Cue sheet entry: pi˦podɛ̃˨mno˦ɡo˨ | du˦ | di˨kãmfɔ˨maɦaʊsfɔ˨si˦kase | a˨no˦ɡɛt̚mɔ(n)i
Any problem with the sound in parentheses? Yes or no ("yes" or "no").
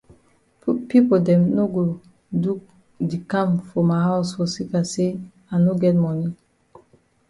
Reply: no